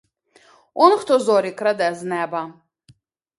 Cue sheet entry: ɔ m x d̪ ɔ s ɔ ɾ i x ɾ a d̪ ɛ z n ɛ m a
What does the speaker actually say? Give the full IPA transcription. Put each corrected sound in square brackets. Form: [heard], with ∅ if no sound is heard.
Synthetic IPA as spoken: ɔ [n] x [t̪] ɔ [z] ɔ ɾ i [k] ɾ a d̪ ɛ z n ɛ [b] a